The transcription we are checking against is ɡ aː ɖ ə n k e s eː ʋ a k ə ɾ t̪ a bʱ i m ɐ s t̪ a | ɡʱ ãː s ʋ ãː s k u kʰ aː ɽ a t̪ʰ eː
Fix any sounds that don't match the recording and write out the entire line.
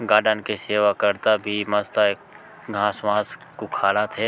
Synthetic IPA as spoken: ɡ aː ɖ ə n k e s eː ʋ a k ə ɾ t̪ a bʱ i m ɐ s t̪ a | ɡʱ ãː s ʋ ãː s k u kʰ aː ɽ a t̪ʰ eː